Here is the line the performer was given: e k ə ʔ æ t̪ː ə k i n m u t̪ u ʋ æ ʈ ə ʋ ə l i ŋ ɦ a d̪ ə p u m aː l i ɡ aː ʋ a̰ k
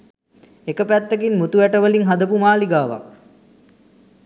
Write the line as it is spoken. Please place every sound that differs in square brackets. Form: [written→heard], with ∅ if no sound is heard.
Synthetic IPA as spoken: e k ə [ʔ→p] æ t̪ː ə k i n m u t̪ u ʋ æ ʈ ə ʋ ə l i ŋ ɦ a d̪ ə p u m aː l i ɡ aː ʋ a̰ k